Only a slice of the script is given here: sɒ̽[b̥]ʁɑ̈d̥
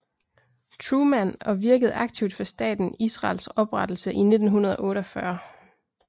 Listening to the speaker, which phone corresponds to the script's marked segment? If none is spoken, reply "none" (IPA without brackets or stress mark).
b̥